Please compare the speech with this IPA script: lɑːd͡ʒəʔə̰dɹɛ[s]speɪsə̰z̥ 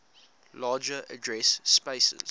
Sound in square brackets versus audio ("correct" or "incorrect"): correct